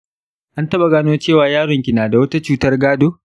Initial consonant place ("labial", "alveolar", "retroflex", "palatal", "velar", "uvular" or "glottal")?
glottal